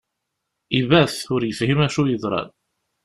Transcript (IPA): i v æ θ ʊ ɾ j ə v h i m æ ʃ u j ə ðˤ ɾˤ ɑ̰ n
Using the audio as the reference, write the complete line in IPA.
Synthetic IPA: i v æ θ ʊ ɾ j ə f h i m æ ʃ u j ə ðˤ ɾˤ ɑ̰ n